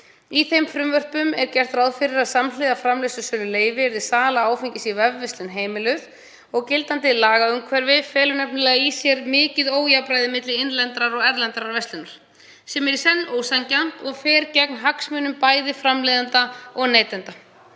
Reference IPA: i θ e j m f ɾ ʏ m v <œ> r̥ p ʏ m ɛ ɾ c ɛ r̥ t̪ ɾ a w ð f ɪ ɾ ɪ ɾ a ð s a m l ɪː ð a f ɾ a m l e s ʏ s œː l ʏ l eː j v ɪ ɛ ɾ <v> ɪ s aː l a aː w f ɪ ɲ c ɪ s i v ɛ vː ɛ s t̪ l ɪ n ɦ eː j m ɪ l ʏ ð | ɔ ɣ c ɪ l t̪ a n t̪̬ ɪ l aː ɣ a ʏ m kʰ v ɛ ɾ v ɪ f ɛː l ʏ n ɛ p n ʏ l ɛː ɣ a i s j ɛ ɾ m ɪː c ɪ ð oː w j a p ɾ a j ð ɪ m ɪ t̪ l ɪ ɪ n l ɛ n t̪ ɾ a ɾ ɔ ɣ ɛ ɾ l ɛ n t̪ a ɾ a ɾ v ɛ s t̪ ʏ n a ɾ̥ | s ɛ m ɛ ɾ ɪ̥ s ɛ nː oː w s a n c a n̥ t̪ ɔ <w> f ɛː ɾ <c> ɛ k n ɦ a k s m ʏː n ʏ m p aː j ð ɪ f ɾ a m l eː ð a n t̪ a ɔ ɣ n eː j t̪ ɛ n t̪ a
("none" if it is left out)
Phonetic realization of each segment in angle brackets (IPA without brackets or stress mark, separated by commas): œ, ð, ɣ, c